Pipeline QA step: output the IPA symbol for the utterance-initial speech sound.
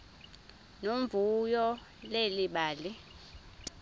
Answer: n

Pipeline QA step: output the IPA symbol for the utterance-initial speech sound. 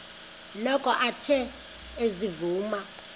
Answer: l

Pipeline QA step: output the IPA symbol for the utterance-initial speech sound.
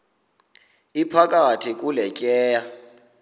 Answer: i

